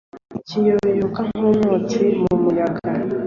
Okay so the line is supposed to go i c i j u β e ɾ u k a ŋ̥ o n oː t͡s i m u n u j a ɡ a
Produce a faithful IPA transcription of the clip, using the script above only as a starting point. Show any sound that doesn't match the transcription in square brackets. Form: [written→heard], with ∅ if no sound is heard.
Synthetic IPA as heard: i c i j [u→o] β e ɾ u k a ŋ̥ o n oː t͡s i m u [n→m] u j a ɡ a